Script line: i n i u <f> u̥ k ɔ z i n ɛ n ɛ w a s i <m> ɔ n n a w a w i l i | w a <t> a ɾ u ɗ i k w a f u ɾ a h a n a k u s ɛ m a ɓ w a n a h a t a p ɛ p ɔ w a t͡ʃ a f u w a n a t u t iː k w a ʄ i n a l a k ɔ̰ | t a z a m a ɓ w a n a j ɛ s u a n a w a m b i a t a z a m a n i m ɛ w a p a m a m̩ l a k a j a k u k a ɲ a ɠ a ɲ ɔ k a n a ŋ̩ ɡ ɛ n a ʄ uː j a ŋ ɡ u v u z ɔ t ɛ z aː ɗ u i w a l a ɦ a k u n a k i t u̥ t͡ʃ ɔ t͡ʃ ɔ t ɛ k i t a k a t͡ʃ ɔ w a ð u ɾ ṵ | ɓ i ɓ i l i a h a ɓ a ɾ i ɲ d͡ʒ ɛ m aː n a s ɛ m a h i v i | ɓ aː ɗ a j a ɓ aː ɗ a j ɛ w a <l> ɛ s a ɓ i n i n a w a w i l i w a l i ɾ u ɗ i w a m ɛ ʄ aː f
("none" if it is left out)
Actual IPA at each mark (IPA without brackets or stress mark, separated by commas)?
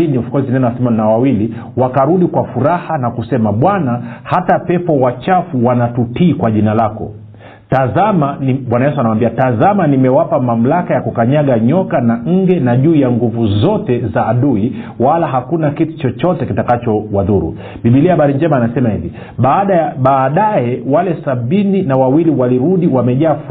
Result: f, m, k, l